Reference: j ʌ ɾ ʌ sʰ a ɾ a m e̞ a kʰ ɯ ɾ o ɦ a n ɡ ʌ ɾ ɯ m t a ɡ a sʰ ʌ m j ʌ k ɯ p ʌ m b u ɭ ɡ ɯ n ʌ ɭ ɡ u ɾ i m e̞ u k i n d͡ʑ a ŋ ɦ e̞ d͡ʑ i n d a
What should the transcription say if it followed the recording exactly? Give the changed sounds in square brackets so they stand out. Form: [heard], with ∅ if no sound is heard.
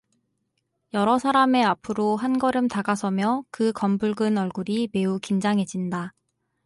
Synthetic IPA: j ʌ ɾ ʌ sʰ a ɾ a m e̞ a [pʰ] ɯ ɾ o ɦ a n ɡ ʌ ɾ ɯ m t a ɡ a sʰ ʌ m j ʌ k ɯ [k] ʌ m b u ɭ ɡ ɯ n ʌ ɭ ɡ u ɾ i m e̞ u k i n d͡ʑ a ŋ ɦ e̞ d͡ʑ i n d a